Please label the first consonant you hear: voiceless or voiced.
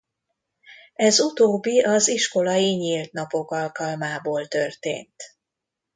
voiced